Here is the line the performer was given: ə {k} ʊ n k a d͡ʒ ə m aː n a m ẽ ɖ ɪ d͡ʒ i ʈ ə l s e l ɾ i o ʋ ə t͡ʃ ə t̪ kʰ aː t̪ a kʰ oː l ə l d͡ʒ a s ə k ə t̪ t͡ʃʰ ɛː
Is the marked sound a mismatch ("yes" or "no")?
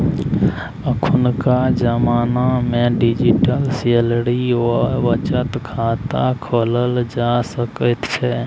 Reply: yes